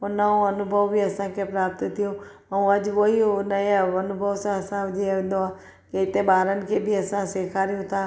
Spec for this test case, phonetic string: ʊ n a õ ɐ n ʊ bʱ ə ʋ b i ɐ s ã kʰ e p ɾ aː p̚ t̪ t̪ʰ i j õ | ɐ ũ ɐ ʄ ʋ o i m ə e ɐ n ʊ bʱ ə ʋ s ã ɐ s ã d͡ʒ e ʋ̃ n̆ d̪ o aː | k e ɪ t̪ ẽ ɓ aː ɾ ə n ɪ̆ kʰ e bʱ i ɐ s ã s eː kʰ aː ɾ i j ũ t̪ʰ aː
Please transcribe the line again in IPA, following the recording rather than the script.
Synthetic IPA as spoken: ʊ n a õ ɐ n ʊ bʱ ə ʋ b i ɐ s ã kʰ e p ɾ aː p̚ t̪ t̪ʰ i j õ | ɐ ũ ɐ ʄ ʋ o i n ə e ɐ n ʊ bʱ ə ʋ s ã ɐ s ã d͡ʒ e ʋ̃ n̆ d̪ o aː | k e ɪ t̪ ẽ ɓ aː ɾ ə n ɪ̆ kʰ e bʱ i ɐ s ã s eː kʰ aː ɾ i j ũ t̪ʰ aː